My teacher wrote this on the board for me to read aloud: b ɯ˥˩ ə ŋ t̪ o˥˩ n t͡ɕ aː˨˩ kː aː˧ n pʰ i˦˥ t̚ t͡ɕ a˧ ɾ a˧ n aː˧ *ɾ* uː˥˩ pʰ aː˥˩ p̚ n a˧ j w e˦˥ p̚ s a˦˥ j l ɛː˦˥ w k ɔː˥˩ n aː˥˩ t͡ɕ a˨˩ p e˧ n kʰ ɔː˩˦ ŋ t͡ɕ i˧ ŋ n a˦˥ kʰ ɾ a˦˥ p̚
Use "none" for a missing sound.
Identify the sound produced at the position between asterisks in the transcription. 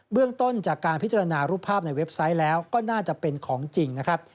ɾ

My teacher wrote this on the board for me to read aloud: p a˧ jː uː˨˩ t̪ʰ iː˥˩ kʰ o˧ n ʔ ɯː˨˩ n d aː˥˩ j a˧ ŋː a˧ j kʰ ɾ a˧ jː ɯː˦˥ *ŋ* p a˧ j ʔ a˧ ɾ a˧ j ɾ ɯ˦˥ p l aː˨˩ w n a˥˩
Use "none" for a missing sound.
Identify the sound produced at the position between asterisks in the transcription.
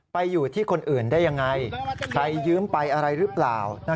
m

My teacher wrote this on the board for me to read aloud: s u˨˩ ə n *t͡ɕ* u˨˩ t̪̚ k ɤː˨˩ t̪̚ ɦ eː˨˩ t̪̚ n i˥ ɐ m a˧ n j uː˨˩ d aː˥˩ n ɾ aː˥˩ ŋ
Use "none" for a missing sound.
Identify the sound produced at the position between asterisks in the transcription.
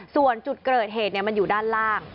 t͡ɕ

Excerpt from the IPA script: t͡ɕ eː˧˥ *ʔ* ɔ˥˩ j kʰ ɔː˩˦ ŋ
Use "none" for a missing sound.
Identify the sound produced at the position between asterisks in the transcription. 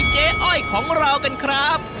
ʔ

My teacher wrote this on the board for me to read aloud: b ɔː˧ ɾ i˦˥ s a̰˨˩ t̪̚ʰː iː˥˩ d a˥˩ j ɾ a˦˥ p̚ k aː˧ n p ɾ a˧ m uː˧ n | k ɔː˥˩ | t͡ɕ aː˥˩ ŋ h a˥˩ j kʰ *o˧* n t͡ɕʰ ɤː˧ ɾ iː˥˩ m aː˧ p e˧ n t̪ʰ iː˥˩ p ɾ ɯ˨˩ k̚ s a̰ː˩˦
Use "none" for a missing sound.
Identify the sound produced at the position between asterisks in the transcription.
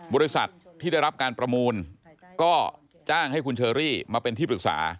u˧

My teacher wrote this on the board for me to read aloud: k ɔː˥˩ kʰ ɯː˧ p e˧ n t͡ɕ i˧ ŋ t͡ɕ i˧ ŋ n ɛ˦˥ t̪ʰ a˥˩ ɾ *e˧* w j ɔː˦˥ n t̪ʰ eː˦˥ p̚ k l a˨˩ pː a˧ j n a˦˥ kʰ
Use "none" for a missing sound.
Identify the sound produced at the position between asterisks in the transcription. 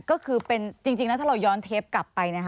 a˧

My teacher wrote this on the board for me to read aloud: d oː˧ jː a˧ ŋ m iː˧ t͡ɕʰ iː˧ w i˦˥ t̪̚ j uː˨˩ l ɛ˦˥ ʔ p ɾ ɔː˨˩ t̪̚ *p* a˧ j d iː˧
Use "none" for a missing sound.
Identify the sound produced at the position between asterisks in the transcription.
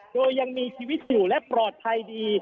pʰ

